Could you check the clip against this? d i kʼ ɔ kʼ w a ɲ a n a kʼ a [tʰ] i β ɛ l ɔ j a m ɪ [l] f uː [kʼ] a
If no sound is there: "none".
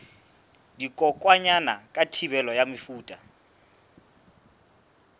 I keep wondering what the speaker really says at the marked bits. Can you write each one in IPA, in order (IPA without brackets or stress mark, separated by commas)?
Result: tʰ, none, tʼ